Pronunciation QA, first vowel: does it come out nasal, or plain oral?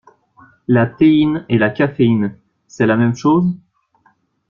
oral